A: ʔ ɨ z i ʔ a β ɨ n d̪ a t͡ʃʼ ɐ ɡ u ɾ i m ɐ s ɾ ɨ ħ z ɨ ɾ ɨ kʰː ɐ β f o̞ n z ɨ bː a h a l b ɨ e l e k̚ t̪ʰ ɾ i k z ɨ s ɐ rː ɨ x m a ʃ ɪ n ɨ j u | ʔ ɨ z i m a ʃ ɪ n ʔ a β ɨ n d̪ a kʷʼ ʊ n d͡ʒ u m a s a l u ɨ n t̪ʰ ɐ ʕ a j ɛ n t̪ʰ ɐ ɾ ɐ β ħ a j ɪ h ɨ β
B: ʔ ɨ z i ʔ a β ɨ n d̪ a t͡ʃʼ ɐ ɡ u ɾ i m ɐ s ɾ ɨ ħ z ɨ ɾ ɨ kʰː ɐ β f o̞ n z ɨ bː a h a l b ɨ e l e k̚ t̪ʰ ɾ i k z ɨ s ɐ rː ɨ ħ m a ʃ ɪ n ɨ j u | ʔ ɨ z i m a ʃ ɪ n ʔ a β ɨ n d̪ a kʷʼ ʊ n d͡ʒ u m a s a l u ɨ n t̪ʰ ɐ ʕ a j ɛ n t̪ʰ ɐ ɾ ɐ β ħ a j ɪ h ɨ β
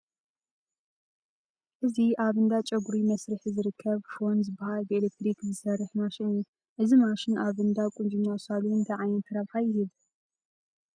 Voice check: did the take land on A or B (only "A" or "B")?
B